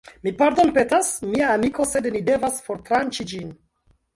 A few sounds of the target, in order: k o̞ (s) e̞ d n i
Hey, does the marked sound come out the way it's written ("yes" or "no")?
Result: yes